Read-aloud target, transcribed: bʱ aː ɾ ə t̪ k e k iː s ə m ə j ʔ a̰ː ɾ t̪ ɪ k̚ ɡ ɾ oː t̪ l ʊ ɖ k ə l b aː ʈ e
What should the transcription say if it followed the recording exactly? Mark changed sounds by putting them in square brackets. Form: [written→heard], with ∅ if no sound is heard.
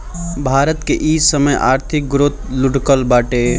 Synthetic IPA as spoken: bʱ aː ɾ ə t̪ k e [k→ʔ] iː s ə m ə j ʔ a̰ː ɾ [t̪→t̪ʰ] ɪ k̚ ɡ ɾ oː t̪ l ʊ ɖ k ə l b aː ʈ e